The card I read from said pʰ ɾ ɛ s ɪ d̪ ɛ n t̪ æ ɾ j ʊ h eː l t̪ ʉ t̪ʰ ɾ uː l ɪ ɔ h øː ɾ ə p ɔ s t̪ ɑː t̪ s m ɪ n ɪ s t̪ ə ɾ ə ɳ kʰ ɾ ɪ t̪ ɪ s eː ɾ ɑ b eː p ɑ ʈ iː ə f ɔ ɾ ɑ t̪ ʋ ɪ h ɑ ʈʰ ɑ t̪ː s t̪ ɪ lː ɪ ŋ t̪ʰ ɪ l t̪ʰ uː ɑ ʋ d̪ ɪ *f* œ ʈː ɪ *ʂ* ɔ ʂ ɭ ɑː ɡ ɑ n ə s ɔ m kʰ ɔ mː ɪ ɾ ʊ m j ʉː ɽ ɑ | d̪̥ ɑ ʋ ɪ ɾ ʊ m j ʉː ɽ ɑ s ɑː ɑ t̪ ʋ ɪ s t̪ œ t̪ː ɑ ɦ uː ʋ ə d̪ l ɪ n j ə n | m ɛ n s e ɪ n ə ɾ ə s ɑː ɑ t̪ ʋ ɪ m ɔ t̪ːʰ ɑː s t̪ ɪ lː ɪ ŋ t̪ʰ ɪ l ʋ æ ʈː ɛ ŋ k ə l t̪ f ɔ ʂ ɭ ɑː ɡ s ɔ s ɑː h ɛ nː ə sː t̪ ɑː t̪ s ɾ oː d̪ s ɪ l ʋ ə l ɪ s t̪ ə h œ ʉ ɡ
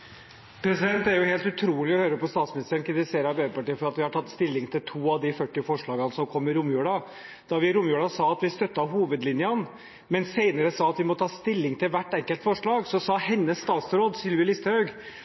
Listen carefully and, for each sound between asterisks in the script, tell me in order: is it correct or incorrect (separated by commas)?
correct, incorrect